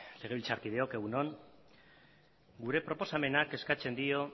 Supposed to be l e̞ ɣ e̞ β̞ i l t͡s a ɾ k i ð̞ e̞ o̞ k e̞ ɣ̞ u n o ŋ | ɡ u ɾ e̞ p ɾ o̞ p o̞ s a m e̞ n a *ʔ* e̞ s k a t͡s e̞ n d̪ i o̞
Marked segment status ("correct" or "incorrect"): incorrect